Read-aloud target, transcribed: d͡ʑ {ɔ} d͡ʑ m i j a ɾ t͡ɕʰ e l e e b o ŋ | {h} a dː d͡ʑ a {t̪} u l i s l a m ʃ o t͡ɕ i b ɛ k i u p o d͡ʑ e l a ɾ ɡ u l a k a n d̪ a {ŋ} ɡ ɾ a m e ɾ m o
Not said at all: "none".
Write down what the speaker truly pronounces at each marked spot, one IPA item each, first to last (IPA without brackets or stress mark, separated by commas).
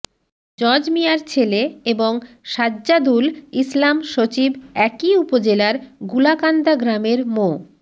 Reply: ɔ, ʃ, d̪, none